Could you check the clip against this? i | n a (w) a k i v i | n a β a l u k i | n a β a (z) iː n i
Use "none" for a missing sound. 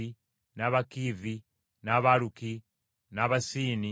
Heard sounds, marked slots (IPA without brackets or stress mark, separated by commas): β, s